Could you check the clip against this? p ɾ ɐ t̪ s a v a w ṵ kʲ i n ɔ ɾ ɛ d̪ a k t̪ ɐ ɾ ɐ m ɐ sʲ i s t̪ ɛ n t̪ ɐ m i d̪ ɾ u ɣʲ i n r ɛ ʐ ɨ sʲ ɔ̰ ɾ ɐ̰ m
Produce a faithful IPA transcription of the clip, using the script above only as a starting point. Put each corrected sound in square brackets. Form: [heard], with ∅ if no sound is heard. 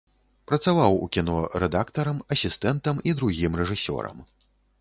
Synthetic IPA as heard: p ɾ ɐ t̪ s a v a w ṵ kʲ i n ɔ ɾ ɛ d̪ a k t̪ ɐ ɾ ɐ m ɐ sʲ i s t̪ ɛ n t̪ ɐ m i d̪ ɾ u ɣʲ i [m] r ɛ ʐ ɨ sʲ ɔ̰ ɾ ɐ̰ m